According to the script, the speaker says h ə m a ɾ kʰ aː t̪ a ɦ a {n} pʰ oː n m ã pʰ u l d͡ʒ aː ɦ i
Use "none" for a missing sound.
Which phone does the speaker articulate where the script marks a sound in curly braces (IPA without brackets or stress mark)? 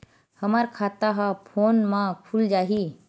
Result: none